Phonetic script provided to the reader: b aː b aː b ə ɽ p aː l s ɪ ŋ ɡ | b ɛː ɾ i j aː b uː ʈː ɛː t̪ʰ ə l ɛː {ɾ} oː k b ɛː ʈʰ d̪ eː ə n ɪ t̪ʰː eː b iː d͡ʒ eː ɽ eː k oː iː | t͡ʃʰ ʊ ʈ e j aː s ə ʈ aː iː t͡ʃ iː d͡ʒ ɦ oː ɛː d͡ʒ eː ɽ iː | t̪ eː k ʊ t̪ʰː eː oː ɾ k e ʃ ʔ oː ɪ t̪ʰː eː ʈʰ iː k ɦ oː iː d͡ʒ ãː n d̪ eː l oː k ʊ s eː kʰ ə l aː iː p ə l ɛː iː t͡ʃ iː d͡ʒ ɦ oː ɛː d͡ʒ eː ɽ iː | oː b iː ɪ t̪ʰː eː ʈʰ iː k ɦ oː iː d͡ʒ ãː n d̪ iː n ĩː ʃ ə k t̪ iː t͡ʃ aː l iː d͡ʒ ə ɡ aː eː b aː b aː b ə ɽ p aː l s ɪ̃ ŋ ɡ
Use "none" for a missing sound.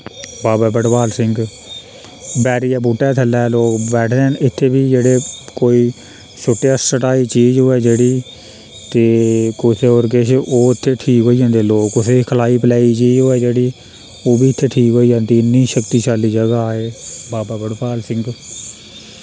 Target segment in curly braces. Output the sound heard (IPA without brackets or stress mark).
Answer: l